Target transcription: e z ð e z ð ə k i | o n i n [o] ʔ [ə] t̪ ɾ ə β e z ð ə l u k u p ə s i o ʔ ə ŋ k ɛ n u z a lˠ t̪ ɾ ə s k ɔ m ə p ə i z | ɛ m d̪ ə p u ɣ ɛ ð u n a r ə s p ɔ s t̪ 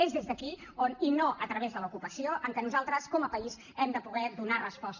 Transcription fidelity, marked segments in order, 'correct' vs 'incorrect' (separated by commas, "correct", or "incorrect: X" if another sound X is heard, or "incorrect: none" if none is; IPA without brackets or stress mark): correct, correct